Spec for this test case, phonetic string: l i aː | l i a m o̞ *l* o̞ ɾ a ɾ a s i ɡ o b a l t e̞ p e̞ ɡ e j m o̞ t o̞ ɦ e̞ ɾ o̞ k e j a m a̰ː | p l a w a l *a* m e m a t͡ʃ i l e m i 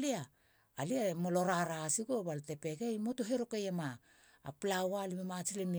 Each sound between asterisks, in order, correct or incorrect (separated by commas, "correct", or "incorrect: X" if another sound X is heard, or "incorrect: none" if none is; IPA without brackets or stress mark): correct, incorrect: i